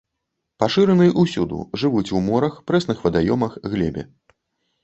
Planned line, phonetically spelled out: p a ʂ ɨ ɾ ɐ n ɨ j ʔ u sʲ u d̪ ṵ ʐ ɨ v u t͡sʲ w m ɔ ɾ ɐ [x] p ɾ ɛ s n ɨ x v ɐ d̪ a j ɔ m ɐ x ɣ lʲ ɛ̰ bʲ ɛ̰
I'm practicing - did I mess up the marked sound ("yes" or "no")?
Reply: no